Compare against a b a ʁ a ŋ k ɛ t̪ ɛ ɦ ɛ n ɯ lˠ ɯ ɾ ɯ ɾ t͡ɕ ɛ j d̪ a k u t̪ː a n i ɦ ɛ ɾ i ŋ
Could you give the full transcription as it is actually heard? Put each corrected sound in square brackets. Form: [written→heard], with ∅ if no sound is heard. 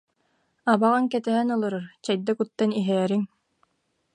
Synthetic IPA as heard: a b a ʁ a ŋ k ɛ t̪ ɛ ɦ ɛ n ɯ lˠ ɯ ɾ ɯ ɾ t͡ɕ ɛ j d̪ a k u t̪ː a n i ɦ [ɛ→ɛː] ɾ i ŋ